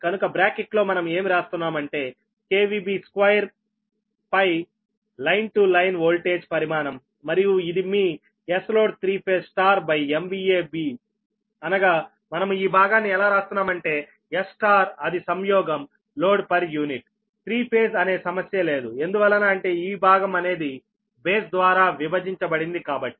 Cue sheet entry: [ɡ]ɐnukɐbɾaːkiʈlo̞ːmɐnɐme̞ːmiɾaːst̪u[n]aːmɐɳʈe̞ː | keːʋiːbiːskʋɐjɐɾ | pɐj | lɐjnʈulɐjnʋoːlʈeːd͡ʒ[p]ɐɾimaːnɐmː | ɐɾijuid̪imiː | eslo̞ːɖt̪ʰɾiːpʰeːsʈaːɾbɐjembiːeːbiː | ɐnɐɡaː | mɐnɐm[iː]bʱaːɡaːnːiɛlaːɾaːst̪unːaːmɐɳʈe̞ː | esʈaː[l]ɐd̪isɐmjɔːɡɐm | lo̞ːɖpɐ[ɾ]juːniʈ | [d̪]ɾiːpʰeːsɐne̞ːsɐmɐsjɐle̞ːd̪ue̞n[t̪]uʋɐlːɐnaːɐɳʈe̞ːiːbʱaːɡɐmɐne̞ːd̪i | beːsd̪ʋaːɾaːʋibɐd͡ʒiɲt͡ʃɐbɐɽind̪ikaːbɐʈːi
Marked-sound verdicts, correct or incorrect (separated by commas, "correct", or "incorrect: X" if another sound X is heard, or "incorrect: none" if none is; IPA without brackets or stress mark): incorrect: k, incorrect: nː, correct, correct, incorrect: ɾ, correct, incorrect: t̪, incorrect: d̪